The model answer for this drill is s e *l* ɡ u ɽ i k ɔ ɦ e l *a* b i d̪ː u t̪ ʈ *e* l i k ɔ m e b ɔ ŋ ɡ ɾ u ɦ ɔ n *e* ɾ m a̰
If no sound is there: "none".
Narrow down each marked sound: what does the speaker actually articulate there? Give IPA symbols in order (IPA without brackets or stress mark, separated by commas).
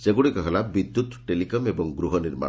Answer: none, a, e, i